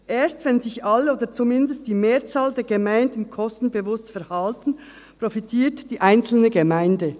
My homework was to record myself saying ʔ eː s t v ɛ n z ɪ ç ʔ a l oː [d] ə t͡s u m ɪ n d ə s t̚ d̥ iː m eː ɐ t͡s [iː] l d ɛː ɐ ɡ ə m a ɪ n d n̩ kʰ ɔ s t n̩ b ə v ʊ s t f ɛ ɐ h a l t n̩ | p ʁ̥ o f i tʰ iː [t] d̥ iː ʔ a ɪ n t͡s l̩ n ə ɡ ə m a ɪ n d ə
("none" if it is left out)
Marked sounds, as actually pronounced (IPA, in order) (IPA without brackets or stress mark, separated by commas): d, aː, t